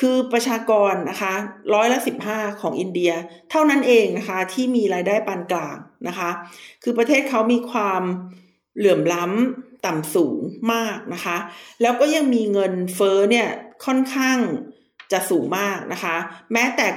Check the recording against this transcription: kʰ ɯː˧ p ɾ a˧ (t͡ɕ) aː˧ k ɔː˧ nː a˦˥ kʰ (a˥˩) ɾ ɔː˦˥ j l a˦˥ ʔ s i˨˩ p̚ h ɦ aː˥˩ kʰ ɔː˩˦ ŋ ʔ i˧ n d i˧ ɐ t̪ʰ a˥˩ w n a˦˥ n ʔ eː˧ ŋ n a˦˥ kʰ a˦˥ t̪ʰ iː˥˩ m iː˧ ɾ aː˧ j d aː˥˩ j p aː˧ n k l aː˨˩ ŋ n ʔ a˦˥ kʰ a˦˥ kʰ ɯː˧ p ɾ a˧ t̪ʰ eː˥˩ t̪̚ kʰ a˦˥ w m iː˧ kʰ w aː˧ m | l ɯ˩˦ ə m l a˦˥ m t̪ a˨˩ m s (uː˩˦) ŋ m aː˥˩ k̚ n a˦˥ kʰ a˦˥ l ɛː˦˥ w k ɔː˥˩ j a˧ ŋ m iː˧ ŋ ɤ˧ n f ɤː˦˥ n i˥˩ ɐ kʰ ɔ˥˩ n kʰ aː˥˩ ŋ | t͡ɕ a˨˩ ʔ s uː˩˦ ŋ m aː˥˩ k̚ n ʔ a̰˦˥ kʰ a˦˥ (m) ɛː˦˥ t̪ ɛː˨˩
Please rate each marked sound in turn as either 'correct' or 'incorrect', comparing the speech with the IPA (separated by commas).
incorrect, incorrect, correct, correct